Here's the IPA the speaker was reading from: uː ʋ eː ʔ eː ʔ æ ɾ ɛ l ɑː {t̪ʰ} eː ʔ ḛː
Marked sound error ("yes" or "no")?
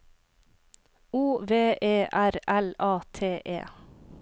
no